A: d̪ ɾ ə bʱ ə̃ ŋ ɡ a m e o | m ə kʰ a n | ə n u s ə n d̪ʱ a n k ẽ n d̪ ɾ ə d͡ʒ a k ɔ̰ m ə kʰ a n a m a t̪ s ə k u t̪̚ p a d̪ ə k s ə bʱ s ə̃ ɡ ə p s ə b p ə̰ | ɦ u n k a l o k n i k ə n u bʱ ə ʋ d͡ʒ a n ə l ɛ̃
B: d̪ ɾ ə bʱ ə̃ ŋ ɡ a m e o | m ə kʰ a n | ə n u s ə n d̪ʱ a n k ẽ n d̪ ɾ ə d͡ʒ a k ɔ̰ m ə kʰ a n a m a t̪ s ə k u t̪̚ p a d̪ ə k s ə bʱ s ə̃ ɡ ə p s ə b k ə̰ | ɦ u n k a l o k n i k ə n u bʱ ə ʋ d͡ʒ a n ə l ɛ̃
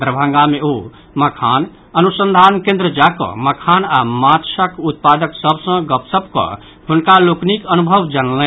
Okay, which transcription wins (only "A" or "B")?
B